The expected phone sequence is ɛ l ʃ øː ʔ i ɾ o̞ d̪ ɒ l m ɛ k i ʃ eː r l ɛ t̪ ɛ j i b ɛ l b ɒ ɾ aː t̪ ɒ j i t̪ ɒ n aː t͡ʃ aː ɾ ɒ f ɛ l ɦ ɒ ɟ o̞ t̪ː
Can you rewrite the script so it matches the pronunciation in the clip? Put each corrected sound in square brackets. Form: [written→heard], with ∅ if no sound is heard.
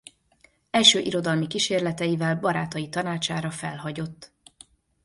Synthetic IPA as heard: ɛ l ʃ øː ʔ i ɾ o̞ d̪ ɒ l m [ɛ→i] k i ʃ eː r l ɛ t̪ ɛ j i [b→v] ɛ l b ɒ ɾ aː t̪ ɒ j i t̪ ɒ n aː t͡ʃ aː ɾ ɒ f ɛ l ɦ ɒ ɟ o̞ t̪ː

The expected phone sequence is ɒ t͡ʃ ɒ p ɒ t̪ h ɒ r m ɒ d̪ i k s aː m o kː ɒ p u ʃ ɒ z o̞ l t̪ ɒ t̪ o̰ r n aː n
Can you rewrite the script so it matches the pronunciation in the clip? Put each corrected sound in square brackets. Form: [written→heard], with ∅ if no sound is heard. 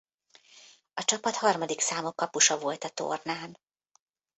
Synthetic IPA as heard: ɒ t͡ʃ ɒ p ɒ t̪ h ɒ r m ɒ d̪ i k s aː m o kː ɒ p u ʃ ɒ [z→v] o̞ l t̪ ɒ t̪ o̰ r n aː n

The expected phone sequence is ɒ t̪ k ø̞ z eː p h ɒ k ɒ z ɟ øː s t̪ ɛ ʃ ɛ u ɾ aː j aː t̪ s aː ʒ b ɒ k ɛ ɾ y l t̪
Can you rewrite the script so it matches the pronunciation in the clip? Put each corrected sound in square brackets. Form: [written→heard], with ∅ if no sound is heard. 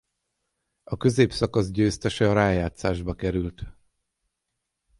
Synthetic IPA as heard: ɒ [t̪→∅] k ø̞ z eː p [h→s] ɒ k ɒ z ɟ øː s t̪ ɛ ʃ ɛ [u→ɒ] ɾ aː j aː t̪ s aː ʒ b ɒ k ɛ ɾ y l t̪

